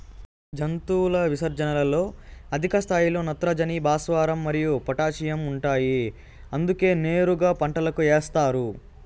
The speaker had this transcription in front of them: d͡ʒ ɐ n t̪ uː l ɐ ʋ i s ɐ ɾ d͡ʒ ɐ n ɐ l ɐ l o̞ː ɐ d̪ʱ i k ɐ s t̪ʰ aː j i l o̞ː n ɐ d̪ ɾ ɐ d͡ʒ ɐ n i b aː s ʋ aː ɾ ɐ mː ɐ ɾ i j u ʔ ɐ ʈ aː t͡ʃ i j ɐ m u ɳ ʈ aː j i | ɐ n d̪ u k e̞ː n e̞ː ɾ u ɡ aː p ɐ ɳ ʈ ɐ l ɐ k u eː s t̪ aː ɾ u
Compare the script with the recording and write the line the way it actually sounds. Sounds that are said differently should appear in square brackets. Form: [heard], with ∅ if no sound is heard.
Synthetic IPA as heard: d͡ʒ ɐ n t̪ uː l ɐ ʋ i s ɐ ɾ d͡ʒ ɐ n ɐ l ɐ l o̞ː ɐ d̪ʱ i k ɐ s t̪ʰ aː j i l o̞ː n ɐ [t̪] ɾ ɐ d͡ʒ ɐ n i b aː s ʋ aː ɾ ɐ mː ɐ ɾ i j u [p] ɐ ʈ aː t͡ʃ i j ɐ m u ɳ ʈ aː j i | ɐ n d̪ u k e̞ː n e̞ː ɾ u ɡ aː p ɐ ɳ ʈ ɐ l ɐ k u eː s t̪ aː ɾ u